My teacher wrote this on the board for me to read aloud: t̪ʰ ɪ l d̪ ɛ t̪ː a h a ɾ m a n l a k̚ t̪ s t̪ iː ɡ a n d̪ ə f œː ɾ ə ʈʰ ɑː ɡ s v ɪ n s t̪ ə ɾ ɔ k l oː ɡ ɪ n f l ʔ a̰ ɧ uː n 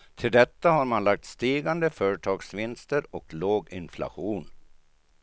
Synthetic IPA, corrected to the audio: t̪ʰ ɪ l d̪ ɛ t̪ː a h a ɾ m a n l a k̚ t̪ s t̪ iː ɡ a n d̪ ə f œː ɾ ə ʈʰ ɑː ɡ s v ɪ n s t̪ ə ɾ ɔ k l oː ɡ ɪ n f l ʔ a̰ ɧ uː n